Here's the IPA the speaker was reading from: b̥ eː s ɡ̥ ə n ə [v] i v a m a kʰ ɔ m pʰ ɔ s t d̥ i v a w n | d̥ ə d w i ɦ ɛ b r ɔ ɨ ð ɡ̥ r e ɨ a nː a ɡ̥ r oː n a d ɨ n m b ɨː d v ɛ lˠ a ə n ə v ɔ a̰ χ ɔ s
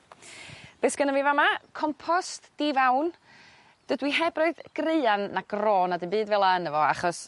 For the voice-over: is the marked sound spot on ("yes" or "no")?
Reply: yes